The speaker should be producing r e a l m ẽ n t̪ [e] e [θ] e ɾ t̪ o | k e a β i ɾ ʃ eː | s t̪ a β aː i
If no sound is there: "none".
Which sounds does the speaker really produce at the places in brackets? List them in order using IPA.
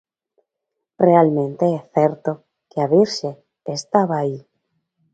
e, θ

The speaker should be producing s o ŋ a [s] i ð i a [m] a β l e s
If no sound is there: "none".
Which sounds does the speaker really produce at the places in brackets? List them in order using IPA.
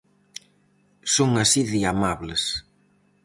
s, m

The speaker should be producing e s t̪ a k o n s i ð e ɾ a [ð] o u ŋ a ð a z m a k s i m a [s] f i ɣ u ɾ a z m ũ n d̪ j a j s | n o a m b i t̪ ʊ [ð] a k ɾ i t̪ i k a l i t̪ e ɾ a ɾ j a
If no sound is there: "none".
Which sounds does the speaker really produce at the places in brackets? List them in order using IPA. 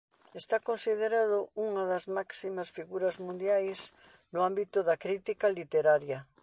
ð, s, ð

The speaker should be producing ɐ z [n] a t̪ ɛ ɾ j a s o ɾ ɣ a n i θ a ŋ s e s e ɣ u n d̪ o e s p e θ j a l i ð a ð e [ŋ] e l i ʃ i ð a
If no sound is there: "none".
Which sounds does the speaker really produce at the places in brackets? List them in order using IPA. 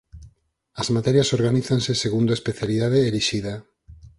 m, none

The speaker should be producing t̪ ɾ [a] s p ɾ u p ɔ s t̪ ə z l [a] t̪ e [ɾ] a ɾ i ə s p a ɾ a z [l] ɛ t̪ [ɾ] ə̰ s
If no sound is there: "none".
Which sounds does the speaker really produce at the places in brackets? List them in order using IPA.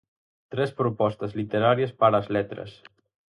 ɛ, i, ɾ, l, ɾ

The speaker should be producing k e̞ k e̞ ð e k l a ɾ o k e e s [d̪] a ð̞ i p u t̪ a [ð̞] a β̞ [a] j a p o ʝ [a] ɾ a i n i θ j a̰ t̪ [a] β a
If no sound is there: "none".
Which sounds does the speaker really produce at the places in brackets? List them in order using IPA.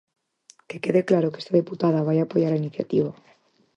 t̪, ð̞, a, a, i

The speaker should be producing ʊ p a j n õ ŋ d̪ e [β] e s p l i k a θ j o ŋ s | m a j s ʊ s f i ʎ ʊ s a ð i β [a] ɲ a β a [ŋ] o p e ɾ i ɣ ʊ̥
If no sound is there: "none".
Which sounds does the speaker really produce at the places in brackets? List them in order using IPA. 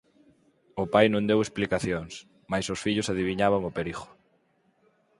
w, i, ŋ

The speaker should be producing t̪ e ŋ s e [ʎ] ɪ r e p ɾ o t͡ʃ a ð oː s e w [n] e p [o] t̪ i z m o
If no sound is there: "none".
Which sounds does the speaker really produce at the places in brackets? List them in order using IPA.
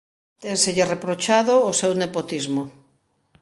ʎ, n, o

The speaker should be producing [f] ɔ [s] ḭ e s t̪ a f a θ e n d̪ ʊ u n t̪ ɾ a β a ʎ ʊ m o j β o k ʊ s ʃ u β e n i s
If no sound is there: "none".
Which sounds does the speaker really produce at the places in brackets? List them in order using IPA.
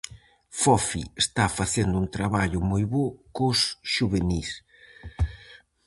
f, f

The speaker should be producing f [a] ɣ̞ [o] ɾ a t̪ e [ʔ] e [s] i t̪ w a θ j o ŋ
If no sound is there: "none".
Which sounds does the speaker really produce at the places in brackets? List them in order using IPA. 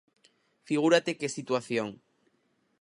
i, u, k, s

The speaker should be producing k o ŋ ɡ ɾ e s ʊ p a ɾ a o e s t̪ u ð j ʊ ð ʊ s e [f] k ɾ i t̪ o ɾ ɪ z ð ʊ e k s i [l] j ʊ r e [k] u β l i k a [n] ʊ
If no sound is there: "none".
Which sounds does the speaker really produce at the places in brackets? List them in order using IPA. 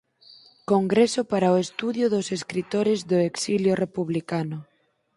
s, l, p, n

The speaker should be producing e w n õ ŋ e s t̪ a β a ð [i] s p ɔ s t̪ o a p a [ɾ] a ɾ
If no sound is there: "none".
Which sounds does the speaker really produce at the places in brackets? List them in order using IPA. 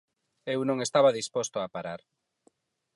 i, ɾ

